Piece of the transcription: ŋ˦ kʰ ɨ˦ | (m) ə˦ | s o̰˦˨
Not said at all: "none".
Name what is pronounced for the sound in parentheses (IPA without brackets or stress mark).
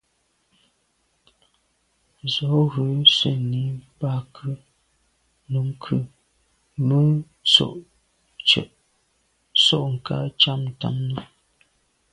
m